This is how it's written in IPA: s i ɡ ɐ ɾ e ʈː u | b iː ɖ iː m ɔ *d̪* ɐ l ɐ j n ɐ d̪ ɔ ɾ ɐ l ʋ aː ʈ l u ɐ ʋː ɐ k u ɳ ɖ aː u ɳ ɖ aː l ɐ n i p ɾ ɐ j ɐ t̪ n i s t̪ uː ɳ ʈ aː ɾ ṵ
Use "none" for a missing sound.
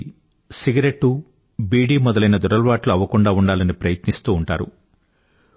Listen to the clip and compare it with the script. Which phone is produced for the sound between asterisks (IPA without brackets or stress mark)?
d̪